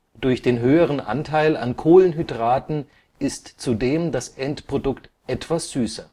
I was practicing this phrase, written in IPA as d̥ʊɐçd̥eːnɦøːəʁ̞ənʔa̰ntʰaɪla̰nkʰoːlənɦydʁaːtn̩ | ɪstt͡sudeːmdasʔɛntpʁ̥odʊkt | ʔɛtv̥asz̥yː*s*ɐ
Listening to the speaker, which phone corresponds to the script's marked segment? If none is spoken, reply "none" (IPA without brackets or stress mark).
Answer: s